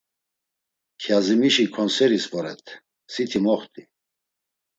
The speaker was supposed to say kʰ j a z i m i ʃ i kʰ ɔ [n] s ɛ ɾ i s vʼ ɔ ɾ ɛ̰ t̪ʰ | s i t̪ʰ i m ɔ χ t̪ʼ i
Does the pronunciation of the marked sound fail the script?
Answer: no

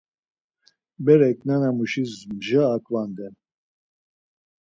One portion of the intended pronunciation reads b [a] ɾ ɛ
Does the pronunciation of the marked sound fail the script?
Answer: yes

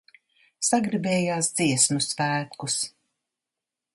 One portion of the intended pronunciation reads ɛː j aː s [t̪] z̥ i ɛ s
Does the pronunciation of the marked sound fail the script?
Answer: yes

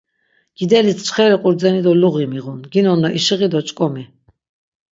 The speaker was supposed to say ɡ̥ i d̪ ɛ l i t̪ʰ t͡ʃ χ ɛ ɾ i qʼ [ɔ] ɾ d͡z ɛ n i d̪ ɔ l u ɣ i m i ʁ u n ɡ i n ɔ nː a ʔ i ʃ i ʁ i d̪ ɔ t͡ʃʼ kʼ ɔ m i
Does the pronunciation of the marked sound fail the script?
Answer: yes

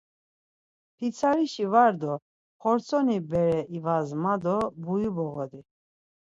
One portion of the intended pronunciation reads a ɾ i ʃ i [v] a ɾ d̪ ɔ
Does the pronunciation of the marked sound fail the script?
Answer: no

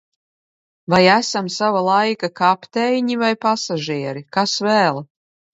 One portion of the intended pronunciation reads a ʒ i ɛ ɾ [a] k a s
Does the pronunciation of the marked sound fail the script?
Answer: yes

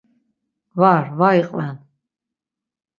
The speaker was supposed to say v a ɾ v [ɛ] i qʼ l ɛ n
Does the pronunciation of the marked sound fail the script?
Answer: yes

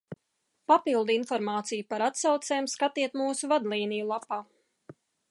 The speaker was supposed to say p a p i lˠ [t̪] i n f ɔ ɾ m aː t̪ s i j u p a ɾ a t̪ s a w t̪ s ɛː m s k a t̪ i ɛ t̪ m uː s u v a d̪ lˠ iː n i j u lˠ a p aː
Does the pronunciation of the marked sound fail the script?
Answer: yes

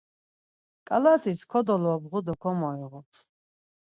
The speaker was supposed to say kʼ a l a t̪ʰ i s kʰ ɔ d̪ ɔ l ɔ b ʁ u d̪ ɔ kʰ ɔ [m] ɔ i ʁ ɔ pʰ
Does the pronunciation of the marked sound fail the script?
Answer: no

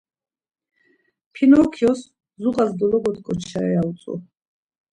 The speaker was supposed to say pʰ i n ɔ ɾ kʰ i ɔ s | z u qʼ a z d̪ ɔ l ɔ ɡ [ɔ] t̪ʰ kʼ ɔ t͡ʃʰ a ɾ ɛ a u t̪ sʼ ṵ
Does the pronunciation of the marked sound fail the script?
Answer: no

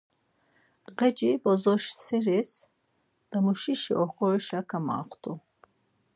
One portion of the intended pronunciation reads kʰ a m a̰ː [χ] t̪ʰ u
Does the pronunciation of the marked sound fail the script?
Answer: no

